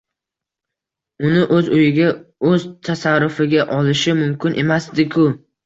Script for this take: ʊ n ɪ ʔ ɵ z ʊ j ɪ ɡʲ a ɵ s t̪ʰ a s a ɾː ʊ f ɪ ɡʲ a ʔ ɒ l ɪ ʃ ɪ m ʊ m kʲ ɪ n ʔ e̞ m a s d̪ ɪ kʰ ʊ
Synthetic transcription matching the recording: ʊ n ɪ ʔ ɵ z ʊ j ɪ ɡʲ a ɵ z t̪ʰ a s a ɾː ʊ f ɪ ɡʲ a ʔ ɒ l ɪ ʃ ɪ m ʊ m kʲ ɪ n ʔ e̞ m a s d̪ ɪ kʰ ʊ